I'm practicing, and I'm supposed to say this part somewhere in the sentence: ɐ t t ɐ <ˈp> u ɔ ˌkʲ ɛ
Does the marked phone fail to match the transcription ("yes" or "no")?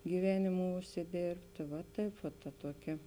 yes